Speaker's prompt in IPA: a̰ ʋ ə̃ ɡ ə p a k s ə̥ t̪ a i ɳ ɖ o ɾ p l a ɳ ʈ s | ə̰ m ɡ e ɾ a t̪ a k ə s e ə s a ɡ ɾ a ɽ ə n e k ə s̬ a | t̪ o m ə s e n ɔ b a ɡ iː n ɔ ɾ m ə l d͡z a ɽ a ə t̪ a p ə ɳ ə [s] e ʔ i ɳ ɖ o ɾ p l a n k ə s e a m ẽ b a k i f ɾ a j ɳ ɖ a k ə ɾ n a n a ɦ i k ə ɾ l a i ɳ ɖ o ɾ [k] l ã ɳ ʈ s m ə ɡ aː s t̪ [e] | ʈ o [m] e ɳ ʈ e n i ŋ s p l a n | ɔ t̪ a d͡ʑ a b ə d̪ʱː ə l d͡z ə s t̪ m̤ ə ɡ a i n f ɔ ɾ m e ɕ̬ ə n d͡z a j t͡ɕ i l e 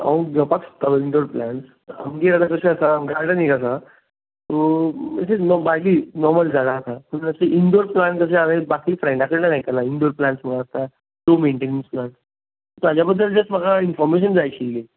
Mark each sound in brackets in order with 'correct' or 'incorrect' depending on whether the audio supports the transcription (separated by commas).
correct, incorrect, incorrect, correct